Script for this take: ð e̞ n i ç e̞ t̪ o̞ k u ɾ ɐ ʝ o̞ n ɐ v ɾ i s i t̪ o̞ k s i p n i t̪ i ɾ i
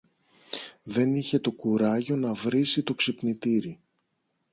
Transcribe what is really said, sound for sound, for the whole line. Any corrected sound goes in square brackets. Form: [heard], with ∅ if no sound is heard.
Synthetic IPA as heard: ð e̞ n i ç e̞ t̪ o̞ k u ɾ ɐ ʝ o̞ n ɐ v ɾ i s i t̪ o̞ k s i p n i t̪ i ɾ i